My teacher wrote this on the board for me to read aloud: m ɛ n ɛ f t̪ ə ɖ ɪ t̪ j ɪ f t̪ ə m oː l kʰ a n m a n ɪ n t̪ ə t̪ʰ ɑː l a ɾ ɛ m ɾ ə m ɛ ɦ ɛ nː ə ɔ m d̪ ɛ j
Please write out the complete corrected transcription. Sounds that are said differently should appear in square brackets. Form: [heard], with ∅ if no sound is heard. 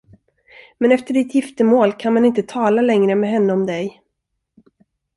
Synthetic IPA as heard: m ɛ n ɛ f t̪ ə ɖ ɪ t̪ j ɪ f t̪ ə m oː l kʰ a n m a n ɪ n t̪ ə t̪ʰ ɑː l a [l] ɛ [ŋ] ɾ ə m ɛ ɦ ɛ nː ə ɔ m d̪ ɛ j